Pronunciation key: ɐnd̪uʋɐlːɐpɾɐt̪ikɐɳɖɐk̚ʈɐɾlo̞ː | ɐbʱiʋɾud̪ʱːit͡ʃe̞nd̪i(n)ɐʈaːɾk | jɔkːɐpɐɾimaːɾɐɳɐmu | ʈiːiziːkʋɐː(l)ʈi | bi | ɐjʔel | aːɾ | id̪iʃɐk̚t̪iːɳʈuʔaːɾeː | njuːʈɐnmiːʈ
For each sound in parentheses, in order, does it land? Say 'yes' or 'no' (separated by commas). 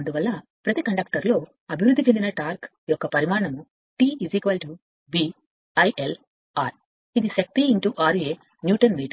yes, yes